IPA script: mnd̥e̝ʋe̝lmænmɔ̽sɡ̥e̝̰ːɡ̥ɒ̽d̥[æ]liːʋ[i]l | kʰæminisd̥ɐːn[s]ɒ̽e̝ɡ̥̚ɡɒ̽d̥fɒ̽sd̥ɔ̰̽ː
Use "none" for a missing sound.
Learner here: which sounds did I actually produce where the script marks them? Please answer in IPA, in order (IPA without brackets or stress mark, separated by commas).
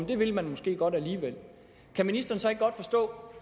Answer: æ, e, s